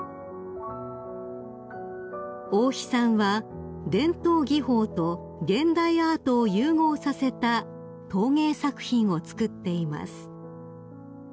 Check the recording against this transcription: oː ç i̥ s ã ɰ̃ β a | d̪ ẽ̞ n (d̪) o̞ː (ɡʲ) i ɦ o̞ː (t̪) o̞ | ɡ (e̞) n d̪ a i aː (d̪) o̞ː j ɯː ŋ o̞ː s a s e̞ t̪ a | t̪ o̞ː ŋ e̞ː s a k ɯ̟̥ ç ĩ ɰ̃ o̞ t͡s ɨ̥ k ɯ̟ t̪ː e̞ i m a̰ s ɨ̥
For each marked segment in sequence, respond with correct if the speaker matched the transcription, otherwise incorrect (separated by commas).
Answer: incorrect, correct, correct, incorrect, incorrect